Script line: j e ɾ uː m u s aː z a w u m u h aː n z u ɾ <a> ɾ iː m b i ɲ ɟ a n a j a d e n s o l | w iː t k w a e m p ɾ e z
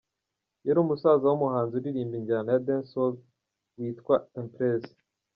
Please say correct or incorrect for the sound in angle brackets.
incorrect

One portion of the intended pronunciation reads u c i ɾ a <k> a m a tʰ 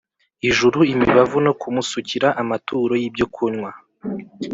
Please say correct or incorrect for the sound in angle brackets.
incorrect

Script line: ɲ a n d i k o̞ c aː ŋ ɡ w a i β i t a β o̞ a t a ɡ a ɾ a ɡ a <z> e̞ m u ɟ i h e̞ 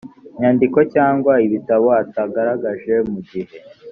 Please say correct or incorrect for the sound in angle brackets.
incorrect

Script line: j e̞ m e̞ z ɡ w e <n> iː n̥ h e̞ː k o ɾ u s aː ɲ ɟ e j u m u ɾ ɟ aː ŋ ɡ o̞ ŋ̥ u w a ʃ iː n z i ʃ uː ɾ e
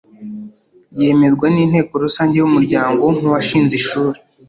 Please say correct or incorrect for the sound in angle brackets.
correct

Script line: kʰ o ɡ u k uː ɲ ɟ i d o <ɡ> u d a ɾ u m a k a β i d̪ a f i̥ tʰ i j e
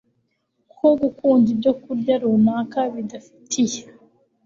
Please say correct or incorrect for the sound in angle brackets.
incorrect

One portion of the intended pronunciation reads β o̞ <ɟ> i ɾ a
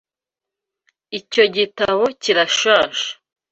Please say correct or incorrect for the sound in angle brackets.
incorrect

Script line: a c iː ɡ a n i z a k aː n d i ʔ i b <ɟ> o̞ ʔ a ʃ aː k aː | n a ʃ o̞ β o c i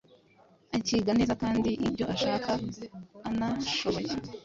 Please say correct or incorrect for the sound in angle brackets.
correct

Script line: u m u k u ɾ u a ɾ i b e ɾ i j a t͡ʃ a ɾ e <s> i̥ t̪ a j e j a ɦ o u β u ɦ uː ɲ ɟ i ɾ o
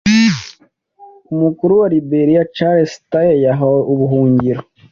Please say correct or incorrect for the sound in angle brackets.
correct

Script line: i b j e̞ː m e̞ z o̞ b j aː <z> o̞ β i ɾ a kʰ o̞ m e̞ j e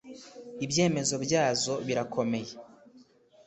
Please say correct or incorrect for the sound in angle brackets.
correct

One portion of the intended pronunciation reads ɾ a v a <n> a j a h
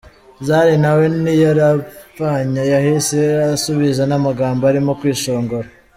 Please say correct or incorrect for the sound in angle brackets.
incorrect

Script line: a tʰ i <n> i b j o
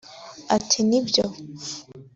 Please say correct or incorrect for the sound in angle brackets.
correct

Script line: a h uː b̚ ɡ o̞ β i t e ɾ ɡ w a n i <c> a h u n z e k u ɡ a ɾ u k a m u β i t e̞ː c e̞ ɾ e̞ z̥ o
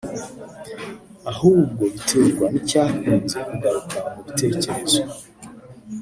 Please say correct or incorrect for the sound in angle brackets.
correct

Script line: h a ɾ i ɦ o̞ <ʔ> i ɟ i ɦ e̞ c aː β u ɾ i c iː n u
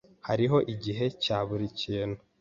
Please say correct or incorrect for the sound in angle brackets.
correct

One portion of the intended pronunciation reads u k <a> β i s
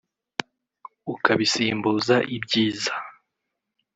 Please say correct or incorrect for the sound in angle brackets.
correct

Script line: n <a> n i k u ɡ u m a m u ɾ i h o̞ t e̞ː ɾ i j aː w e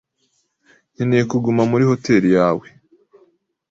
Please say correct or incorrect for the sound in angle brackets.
incorrect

